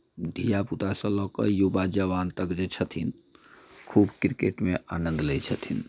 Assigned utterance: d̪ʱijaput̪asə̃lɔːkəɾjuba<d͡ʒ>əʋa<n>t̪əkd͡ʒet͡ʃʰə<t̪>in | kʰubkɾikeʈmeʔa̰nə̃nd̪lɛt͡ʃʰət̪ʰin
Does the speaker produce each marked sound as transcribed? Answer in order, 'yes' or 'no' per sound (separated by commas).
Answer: yes, yes, no